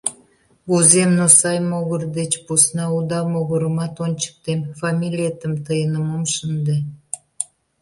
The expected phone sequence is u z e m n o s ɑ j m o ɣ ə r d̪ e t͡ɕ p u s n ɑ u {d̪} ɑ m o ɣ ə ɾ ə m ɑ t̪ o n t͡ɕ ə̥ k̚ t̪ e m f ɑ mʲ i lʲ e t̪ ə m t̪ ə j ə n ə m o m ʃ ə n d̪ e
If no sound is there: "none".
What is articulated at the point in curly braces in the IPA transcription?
d̪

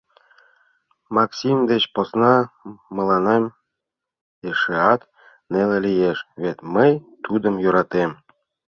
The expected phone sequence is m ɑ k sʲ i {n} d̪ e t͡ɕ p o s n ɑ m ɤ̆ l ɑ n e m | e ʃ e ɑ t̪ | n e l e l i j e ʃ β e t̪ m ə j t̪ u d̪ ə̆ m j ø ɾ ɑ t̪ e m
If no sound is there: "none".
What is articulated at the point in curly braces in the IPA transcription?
m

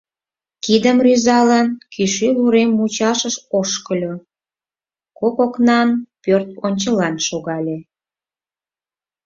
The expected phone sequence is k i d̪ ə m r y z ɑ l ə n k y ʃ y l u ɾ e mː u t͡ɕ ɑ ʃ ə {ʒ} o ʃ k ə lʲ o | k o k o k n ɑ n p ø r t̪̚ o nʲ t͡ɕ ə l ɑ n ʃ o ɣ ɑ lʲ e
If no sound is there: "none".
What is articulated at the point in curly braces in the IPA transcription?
ʃ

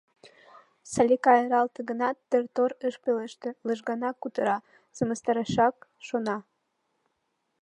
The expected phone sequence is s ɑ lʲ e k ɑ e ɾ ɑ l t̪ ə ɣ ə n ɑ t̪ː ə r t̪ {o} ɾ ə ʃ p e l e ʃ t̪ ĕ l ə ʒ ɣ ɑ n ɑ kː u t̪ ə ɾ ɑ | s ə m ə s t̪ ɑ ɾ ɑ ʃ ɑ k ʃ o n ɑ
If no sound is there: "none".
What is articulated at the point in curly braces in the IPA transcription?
o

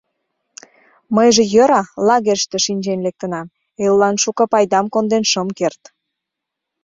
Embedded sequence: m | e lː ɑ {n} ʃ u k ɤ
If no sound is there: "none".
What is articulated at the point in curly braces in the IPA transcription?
n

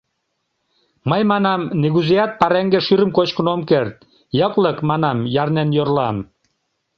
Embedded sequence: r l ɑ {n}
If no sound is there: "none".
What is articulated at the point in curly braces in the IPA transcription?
m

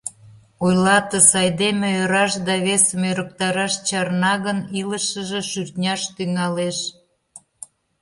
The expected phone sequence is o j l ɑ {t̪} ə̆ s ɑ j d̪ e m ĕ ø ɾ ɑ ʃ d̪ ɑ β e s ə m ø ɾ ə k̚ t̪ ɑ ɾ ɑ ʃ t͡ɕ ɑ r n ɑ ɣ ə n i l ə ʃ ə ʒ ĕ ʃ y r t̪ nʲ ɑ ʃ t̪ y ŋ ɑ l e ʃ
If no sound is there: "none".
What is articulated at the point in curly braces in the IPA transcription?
t̪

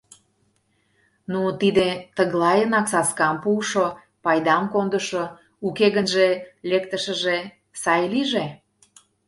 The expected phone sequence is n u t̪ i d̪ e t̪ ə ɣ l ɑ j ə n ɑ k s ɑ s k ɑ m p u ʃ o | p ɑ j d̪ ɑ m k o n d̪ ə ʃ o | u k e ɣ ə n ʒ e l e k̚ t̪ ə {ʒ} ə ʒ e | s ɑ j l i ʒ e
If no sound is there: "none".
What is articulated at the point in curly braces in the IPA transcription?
ʃ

